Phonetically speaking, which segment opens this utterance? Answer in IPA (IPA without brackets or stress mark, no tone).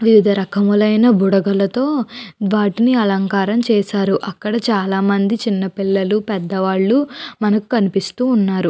ʋ